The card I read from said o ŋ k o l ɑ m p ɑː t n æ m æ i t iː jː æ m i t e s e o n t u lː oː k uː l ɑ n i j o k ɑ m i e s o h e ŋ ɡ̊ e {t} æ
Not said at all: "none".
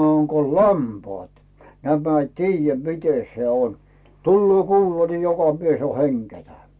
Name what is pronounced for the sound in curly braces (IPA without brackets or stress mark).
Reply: t